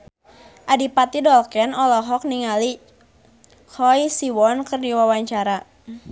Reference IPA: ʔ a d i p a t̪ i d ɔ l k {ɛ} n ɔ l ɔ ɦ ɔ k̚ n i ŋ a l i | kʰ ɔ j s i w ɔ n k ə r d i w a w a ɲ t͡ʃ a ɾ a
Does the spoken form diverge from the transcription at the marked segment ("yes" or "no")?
no